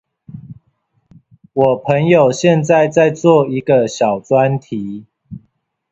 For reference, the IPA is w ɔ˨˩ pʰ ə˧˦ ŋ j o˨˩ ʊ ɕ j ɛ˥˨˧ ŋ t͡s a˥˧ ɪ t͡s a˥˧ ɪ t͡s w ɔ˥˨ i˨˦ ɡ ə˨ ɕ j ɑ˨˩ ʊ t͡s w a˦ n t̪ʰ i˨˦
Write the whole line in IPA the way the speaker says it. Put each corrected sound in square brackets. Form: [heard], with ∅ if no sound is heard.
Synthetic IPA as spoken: w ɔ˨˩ pʰ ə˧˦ ŋ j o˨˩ ʊ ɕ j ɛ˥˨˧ [n] t͡s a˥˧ ɪ t͡s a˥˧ ɪ t͡s w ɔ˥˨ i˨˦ ɡ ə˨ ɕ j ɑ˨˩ ʊ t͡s w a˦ n t̪ʰ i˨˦